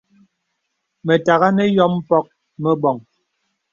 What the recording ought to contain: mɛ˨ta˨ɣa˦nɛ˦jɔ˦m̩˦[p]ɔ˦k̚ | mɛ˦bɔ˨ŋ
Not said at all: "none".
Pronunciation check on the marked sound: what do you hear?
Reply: p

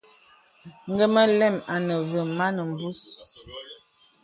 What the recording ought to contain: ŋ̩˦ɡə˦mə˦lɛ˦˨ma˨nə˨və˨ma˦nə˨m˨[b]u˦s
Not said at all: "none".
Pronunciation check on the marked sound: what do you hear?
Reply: b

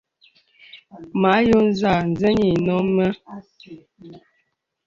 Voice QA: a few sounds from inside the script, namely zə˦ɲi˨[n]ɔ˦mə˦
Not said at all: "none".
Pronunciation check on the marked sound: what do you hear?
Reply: n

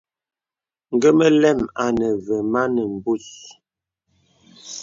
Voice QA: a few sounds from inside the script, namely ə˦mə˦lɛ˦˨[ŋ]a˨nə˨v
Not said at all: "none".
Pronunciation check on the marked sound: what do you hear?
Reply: m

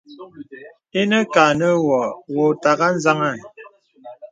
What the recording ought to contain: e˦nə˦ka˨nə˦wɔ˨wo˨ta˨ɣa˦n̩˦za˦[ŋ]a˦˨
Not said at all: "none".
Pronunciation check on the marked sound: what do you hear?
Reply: ŋ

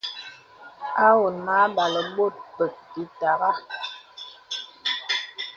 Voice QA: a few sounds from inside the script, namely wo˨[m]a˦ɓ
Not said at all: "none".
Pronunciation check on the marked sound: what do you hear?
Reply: n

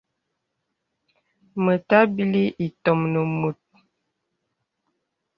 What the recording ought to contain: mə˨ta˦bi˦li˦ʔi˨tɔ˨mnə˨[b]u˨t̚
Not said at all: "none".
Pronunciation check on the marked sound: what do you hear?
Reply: m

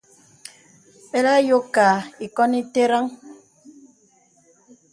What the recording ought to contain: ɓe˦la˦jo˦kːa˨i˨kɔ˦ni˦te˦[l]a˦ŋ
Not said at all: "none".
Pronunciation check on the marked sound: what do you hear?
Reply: ɾ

